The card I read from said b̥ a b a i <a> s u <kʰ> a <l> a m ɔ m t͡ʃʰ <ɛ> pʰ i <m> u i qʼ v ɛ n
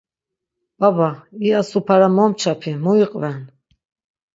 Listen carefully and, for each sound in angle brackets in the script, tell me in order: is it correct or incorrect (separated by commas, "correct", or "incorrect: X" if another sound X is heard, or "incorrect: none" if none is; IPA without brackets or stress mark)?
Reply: correct, incorrect: pʰ, incorrect: ɾ, incorrect: a, correct